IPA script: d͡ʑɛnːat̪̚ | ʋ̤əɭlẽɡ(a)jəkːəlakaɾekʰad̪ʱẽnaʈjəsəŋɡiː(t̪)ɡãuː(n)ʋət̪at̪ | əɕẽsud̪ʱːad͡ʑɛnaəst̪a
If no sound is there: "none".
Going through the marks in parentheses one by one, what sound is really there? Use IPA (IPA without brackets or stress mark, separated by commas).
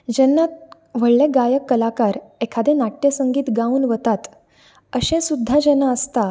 a, t̪, n